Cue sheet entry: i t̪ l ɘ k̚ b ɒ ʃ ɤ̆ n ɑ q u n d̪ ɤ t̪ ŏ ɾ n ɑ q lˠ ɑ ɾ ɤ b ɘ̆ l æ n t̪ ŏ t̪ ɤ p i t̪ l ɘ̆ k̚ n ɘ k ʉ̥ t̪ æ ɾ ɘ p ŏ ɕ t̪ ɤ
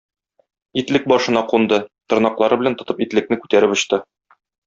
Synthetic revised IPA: i t̪ l ɘ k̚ b ɒ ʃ ɤ̆ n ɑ q u n d̪ ɤ t̪ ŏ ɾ n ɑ q lˠ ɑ ɾ ɤ b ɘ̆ l æ n t̪ ŏ t̪ ɤ p i t̪ l ɘ̆ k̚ n ɘ k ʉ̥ t̪ æ ɾ ɘ p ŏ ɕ t̪ ɤ

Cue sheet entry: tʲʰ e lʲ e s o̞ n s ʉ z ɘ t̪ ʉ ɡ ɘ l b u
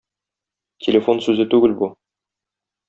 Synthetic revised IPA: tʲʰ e lʲ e f o̞ n s ʉ z ɘ t̪ ʉ ɡ ɘ l b u

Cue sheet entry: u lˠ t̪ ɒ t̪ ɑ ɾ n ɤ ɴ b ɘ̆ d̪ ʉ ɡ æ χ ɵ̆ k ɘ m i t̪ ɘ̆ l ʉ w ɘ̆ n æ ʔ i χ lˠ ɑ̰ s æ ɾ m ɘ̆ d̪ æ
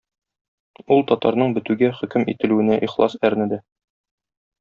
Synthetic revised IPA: u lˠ t̪ ɒ t̪ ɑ ɾ n ɤ ɴ b ɘ̆ t̪ ʉ ɡ æ χ ɵ̆ k ɘ m i t̪ ɘ̆ l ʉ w ɘ̆ n æ ʔ i χ lˠ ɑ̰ s æ ɾ n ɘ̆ d̪ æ

